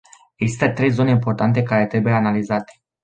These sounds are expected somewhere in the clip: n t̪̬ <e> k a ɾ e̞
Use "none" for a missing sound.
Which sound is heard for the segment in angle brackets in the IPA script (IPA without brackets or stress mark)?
e